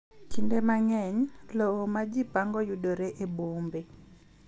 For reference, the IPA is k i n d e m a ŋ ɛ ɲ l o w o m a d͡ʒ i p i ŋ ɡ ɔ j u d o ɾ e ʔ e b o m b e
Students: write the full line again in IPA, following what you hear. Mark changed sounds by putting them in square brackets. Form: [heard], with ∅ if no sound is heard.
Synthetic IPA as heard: k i n d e m a ŋ ɛ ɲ l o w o m a d͡ʒ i p [a] ŋ ɡ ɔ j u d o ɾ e ʔ e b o m b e